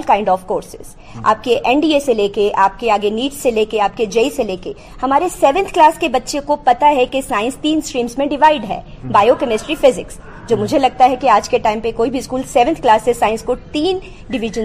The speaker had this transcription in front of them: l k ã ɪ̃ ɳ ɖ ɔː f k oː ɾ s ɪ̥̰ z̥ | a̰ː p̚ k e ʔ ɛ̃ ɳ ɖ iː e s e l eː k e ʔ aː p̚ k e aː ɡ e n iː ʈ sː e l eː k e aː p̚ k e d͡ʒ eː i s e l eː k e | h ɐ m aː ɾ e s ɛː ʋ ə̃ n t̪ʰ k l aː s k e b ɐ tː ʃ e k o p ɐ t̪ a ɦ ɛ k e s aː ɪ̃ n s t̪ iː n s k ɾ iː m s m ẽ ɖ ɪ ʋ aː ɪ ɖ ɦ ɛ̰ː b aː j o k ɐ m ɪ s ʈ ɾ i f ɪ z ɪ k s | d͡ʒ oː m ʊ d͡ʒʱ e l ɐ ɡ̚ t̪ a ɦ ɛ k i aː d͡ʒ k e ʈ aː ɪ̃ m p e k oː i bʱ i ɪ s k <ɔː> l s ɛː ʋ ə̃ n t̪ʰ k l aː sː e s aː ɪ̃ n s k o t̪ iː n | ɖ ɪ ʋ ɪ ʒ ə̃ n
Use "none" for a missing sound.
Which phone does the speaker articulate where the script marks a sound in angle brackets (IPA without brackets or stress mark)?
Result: uː